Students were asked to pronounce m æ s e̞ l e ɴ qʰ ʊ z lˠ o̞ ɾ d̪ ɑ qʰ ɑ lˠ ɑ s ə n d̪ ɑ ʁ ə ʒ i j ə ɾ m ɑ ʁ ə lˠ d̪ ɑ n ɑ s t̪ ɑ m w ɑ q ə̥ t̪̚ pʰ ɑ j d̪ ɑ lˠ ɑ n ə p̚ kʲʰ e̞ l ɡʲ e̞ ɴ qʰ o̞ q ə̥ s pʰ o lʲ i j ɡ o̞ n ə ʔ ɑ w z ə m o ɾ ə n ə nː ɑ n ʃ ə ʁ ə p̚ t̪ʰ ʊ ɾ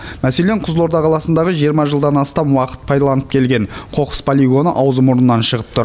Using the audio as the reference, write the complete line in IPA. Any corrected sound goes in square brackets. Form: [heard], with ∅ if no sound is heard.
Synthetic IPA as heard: m æ s e̞ l e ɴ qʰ ʊ z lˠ o̞ ɾ d̪ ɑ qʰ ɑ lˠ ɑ s ə n d̪ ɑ ʁ ə ʒ i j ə ɾ m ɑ [ʒ] ə lˠ d̪ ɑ n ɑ s t̪ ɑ m w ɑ q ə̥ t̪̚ pʰ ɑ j d̪ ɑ lˠ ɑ n ə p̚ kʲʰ e̞ l ɡʲ e̞ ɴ qʰ o̞ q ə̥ s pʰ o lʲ i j ɡ o̞ n ə ʔ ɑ w z ə m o ɾ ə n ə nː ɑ n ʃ ə ʁ ə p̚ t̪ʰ ʊ ɾ